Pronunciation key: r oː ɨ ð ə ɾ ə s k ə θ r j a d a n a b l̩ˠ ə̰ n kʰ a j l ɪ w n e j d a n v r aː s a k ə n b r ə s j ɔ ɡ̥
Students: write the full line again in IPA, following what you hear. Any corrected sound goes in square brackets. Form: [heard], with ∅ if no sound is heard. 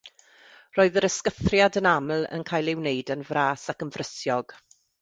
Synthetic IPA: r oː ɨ ð ə ɾ ə s k ə θ r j a d [ə] n a [m] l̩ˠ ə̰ n kʰ a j l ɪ w n e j d [ə] n v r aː s a k ə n [v] r ə s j ɔ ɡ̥